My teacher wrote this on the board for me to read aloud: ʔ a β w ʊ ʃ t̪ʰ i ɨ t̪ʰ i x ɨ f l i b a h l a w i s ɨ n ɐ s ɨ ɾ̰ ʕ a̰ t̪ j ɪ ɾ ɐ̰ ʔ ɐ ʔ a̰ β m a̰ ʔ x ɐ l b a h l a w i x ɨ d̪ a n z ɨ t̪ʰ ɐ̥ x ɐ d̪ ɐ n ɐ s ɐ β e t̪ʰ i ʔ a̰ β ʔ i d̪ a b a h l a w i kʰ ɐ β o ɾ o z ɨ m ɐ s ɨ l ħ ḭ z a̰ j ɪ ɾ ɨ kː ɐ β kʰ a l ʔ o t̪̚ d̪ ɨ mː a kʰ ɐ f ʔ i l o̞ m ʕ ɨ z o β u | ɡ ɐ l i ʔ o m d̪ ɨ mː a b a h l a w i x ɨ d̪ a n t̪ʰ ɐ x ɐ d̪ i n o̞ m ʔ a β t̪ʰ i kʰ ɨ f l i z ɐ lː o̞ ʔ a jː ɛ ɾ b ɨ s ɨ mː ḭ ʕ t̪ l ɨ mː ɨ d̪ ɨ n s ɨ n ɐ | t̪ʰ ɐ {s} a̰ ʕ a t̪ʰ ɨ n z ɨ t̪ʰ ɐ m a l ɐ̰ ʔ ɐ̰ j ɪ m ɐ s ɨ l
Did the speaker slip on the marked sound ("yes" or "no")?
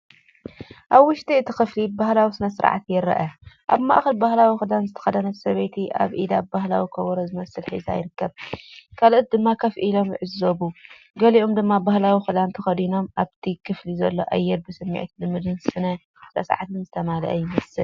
no